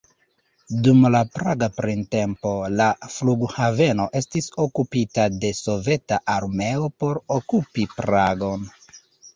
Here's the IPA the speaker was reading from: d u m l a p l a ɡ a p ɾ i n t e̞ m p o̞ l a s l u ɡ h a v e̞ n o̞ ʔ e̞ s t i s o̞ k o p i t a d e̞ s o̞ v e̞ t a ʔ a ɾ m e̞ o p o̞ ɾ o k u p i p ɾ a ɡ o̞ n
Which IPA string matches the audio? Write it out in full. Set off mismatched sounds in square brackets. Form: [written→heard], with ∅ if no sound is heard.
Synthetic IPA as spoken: d u m l a p [l→ɾ] a ɡ a p ɾ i n t e̞ m p o̞ l a [s→f] l u ɡ h a v e̞ n o̞ ʔ e̞ s t i s o̞ k [o→u] p i t a d e̞ s o̞ v e̞ t a ʔ a ɾ m e̞ o p o̞ ɾ o k u p i p ɾ a ɡ o̞ n